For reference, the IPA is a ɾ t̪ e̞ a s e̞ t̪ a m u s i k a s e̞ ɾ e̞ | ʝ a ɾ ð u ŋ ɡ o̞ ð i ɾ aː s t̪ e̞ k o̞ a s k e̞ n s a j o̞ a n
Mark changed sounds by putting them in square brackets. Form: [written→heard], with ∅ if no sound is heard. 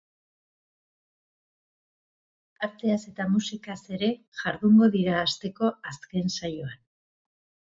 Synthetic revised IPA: a ɾ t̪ e̞ a s e̞ t̪ a m u s i k a s e̞ ɾ e̞ | ʝ a ɾ ð u ŋ ɡ o̞ ð i ɾ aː s t̪ e̞ k o̞ a s k e̞ n s a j o̞ a n